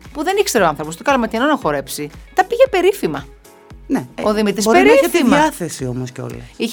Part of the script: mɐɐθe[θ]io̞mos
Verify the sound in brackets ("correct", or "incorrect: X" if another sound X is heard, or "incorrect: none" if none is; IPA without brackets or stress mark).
incorrect: s